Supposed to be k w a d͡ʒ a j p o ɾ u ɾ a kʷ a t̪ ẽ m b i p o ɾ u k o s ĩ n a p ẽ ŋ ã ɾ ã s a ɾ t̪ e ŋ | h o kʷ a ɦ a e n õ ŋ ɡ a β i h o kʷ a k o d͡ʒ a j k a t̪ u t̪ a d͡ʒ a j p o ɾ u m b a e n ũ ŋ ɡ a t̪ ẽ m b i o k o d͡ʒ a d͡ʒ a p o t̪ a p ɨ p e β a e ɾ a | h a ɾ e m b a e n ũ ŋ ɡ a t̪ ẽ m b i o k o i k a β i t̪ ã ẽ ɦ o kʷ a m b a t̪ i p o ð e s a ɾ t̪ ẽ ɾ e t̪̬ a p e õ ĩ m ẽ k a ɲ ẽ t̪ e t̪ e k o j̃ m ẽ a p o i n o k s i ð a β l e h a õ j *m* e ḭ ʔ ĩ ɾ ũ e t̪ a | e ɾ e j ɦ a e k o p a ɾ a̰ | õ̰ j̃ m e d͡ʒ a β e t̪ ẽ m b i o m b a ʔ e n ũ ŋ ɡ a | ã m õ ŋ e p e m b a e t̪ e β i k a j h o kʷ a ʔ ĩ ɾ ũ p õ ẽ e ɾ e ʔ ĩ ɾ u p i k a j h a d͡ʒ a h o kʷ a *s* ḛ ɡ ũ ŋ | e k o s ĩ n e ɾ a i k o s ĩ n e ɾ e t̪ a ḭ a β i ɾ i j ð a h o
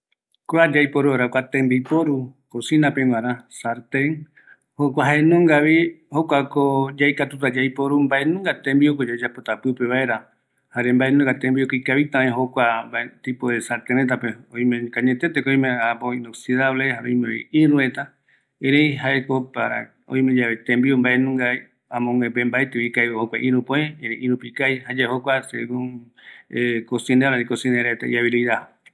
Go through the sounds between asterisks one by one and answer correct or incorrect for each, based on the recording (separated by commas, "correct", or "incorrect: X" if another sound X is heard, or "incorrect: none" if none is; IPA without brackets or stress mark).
correct, correct